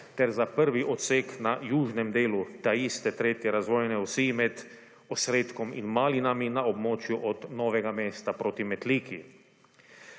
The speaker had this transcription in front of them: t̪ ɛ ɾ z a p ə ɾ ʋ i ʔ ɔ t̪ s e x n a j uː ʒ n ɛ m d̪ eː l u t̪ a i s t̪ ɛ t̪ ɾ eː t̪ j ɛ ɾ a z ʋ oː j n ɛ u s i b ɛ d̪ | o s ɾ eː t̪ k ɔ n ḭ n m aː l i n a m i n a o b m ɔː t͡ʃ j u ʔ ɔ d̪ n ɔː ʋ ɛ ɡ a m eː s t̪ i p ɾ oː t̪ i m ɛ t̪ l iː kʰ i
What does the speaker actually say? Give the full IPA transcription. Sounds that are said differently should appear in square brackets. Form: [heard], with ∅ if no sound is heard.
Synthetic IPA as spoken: t̪ ɛ ɾ z a p ə ɾ ʋ i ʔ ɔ t̪ s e [k] n a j uː ʒ n ɛ m d̪ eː l u t̪ a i s t̪ ɛ t̪ ɾ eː t̪ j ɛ ɾ a z ʋ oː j n ɛ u s i [m] ɛ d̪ | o s ɾ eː t̪ k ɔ [m] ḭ n m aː l i n a m i n a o b m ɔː t͡ʃ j u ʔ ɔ d̪ n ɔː ʋ ɛ ɡ a m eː s t̪ [a] p ɾ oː t̪ i m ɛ t̪ l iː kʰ i